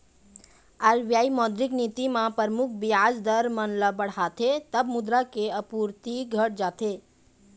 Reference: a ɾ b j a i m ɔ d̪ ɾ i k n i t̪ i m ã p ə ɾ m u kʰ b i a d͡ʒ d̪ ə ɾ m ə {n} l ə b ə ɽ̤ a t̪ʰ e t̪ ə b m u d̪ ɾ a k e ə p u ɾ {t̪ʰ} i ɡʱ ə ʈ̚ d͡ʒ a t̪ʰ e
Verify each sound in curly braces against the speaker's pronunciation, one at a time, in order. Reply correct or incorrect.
correct, incorrect

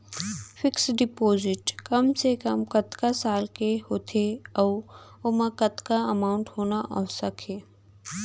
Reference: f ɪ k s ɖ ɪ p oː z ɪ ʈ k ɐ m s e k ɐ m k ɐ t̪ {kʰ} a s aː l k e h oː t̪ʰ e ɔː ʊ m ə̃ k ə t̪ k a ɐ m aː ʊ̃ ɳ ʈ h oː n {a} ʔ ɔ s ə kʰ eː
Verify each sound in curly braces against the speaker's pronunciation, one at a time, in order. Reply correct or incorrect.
incorrect, correct

